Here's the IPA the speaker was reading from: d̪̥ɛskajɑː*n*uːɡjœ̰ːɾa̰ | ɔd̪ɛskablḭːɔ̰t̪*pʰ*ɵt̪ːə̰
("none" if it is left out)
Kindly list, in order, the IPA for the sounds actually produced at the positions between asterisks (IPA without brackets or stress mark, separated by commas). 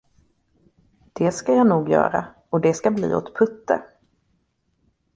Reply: n, pʰ